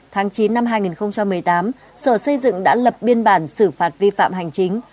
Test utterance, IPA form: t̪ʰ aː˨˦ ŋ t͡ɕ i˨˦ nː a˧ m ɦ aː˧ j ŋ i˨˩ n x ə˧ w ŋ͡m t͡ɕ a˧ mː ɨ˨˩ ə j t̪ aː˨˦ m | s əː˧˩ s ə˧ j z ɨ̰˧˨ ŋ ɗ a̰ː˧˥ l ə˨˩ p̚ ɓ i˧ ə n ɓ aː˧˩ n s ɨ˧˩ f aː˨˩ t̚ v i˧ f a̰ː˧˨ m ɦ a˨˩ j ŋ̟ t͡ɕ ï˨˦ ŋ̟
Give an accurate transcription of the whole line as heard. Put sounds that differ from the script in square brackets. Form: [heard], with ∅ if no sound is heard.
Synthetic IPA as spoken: t̪ʰ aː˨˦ ŋ t͡ɕ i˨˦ nː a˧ m ɦ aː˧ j ŋ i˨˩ n x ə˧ w ŋ͡m t͡ɕ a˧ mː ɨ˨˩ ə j t̪ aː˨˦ m | s əː˧˩ s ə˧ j z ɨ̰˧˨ ŋ ɗ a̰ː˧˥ l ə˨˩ p̚ ɓ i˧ ə n ɓ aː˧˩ n s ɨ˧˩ f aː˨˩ t̚ v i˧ f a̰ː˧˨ m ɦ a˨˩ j ŋ̟ t͡ɕ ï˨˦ ŋ̟